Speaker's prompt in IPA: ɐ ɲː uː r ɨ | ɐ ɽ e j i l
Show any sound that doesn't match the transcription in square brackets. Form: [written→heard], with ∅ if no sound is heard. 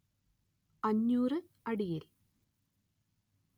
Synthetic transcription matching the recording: ɐ ɲː uː r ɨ | ɐ ɽ [e→i] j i l